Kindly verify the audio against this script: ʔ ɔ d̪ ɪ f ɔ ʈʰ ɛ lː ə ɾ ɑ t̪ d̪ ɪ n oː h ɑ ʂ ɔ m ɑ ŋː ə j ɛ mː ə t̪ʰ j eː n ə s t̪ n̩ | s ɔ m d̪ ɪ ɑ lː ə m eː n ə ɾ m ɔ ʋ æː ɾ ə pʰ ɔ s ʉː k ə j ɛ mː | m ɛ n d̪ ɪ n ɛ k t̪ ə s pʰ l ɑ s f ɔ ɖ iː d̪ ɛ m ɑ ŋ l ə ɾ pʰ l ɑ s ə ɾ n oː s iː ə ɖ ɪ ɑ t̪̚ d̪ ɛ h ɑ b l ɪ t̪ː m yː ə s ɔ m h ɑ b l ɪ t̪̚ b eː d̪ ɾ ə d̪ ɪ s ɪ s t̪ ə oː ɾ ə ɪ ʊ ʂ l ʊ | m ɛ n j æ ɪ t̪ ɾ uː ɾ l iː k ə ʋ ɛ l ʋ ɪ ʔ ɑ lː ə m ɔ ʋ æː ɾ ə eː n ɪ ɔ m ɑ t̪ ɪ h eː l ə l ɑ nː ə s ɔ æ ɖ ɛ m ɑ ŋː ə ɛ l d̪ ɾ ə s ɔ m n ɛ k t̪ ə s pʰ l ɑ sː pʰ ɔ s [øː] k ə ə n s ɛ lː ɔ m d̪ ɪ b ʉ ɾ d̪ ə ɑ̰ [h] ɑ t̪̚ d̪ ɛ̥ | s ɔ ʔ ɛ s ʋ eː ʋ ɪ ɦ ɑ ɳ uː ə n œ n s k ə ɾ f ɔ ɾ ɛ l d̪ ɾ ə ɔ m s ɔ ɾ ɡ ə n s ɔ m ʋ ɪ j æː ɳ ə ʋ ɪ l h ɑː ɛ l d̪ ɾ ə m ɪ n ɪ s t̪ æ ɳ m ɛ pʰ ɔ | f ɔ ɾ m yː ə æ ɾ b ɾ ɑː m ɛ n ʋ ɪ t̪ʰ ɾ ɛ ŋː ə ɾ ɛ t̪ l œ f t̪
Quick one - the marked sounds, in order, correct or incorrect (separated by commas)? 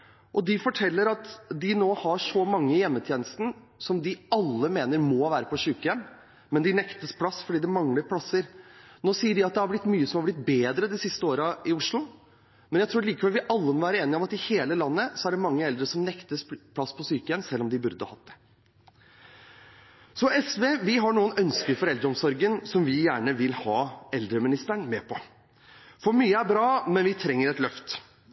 incorrect, correct